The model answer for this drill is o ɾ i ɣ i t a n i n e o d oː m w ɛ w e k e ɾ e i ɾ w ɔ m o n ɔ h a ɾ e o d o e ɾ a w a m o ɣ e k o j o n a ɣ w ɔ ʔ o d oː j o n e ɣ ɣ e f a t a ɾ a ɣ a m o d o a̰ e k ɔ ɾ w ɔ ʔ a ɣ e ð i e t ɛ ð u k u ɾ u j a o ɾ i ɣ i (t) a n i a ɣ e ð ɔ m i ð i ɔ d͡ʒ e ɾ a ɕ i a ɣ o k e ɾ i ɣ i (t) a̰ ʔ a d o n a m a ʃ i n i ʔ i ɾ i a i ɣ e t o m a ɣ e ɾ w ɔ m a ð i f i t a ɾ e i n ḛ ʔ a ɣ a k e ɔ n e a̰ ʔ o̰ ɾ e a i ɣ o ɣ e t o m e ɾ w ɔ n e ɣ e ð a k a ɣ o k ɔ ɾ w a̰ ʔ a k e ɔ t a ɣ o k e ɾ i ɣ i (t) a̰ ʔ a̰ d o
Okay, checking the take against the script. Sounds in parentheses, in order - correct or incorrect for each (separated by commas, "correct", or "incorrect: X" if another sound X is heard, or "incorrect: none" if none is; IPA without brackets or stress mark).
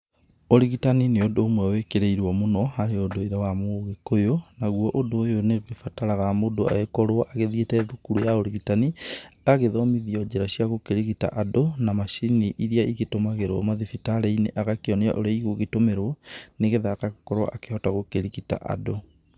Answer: correct, correct, correct